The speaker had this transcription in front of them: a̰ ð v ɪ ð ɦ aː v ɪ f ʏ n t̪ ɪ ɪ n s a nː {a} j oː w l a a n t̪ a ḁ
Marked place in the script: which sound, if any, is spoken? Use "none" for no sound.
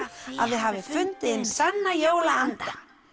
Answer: a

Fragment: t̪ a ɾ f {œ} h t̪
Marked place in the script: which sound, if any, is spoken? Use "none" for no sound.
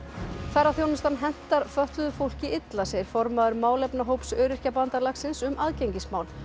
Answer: œ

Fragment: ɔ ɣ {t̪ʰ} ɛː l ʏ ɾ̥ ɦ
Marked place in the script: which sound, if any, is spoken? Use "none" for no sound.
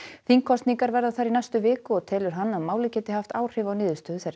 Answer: t̪ʰ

